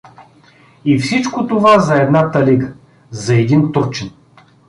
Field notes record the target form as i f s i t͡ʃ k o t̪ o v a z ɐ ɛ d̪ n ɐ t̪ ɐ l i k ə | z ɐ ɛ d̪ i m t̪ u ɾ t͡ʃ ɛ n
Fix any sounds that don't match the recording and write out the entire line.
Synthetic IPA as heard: i f s i t͡ʃ k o t̪ o v a z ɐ ɛ d̪ n a t̪ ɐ l i ɡ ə | z ɐ ɛ d̪ i n t̪ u ɾ t͡ʃ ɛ n